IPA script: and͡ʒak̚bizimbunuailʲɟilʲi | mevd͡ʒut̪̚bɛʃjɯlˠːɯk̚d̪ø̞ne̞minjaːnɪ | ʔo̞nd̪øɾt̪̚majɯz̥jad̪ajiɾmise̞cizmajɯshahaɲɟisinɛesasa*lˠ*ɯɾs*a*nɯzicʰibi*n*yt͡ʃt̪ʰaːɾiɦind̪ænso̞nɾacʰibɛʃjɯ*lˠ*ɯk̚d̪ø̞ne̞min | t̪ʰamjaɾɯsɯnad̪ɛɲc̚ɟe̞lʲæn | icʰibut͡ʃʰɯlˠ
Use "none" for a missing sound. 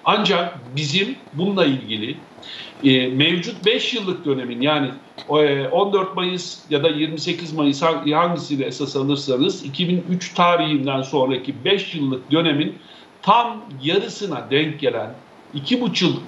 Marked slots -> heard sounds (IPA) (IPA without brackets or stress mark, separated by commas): lˠ, a, n, lˠː